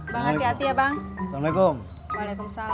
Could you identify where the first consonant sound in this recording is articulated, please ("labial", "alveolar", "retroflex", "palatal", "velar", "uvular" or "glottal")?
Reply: labial